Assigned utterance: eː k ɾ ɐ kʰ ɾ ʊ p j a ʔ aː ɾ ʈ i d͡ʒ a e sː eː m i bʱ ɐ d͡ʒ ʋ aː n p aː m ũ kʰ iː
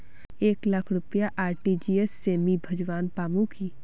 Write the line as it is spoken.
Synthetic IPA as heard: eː k l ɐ kʰ ɾ ʊ p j a ʔ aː ɾ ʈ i d͡ʒ i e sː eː m i bʱ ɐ d͡ʒ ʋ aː n p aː m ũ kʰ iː

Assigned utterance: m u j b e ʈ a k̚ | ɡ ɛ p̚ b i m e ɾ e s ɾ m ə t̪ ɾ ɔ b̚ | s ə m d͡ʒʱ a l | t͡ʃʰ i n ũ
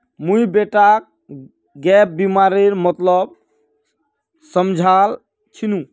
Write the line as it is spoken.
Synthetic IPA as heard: m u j b e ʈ a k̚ | ɡ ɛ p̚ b i m a ɾ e ɾ m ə t̪ l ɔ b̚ | s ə m d͡ʒʱ a l | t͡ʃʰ i n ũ

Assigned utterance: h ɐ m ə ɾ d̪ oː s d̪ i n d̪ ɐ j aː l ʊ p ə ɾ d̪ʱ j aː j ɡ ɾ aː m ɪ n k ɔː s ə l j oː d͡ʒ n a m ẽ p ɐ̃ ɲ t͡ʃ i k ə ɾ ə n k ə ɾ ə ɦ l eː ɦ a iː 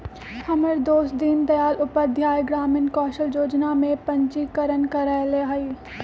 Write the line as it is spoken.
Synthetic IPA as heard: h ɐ m ə ɾ d̪ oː s d̪ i n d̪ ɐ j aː l ʊ p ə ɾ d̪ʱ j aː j ɡ ɾ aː m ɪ n k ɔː ʃ ə l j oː d͡ʒ n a m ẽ p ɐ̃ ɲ t͡ʃ i k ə ɾ ə n k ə ɾ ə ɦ l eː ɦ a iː

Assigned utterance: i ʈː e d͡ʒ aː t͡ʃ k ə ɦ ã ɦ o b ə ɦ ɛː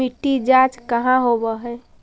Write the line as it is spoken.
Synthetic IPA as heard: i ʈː i d͡ʒ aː t͡ʃ k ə ɦ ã ɦ o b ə ɦ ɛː

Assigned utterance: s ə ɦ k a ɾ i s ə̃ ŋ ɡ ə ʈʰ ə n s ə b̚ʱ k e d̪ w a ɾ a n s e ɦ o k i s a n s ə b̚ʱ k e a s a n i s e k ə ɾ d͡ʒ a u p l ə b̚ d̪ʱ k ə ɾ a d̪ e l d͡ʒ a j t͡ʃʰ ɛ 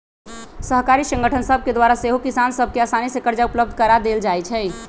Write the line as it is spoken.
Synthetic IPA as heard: s ə ɦ k a ɾ i s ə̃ ŋ ɡ ə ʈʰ ə n s ə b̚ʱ k e d̪ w a ɾ a s e ɦ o k i s a n s ə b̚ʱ k e a s a n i s e k ə ɾ d͡ʒ a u p l ə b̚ d̪ʱ k ə ɾ a d̪ e l d͡ʒ a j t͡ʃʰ ɛ

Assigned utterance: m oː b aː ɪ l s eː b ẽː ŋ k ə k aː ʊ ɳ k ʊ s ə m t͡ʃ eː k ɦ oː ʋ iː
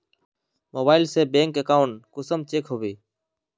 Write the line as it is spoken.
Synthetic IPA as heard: m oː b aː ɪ l s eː b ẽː ŋ k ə k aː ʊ ɳ k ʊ s ə m t͡ʃ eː k ɦ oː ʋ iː

